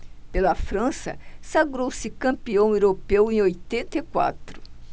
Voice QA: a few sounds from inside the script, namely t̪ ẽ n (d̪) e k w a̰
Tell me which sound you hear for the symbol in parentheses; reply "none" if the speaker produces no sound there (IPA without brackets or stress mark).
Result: t̪